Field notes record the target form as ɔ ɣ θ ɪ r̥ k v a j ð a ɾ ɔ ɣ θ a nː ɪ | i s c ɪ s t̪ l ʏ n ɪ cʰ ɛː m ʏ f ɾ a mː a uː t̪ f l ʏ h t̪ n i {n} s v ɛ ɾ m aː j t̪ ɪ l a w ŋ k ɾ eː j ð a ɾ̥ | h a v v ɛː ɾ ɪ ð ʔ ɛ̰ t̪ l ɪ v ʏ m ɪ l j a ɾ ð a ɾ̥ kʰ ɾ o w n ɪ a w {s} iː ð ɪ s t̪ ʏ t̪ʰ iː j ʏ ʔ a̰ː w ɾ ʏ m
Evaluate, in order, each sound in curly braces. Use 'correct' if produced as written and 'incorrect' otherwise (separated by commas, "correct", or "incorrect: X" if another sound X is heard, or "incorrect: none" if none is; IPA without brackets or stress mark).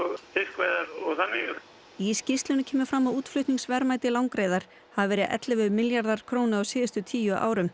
incorrect: ŋ, correct